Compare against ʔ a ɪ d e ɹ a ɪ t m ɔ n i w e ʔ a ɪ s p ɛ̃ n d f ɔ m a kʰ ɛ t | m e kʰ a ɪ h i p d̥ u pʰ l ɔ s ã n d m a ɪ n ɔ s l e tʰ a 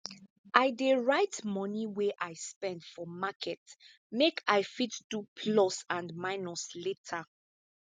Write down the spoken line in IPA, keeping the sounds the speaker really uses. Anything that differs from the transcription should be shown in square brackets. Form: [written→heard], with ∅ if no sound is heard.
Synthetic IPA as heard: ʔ a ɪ d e ɹ a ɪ t m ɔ n i w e ʔ a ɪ s p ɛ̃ n d f ɔ m a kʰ ɛ t | m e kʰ a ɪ [h→f] i [p→t] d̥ u pʰ l ɔ s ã n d m a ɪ n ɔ s l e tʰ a

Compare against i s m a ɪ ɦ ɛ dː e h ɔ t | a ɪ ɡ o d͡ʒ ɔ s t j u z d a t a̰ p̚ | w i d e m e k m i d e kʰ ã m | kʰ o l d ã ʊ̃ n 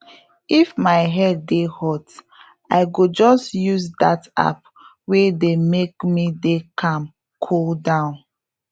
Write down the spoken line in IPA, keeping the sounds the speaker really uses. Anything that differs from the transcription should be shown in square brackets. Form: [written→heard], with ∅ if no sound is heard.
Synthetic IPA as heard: i [s→f] m a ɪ ɦ ɛ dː e h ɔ t | a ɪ ɡ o d͡ʒ ɔ s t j u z d a t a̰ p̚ | w [i→e] d e m e k m i d e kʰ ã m | kʰ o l d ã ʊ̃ n

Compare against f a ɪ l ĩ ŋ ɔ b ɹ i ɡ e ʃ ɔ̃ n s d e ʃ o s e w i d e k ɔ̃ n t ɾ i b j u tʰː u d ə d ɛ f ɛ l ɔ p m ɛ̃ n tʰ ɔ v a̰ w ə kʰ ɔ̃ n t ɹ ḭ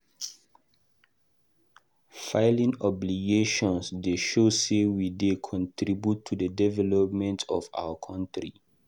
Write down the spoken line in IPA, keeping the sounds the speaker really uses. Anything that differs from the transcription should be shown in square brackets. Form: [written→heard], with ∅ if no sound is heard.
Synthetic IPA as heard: f a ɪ l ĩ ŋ ɔ b [ɹ→l] i ɡ e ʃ ɔ̃ n s d e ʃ o s e w i d e [k→kʰ] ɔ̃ n t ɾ i b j u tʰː u d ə d ɛ [f→v] ɛ l ɔ p m ɛ̃ n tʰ ɔ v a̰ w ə kʰ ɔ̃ n t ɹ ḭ

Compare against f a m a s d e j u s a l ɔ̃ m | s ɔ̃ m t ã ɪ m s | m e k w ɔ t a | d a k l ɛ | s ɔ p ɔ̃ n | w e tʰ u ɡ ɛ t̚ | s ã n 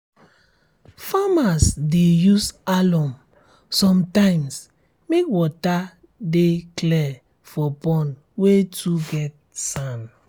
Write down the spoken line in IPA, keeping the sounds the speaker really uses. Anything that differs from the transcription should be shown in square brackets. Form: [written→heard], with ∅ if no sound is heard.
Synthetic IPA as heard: f a m a s d e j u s a l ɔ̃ m | s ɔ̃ m t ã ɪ m s | m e k w ɔ t a | d [a→e] k l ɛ | [s→f] ɔ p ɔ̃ n | w e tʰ u ɡ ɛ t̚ | s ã n

